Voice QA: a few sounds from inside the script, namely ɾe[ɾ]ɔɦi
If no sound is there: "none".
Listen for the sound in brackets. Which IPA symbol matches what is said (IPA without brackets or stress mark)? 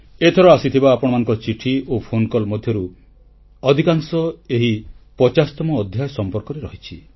ɾ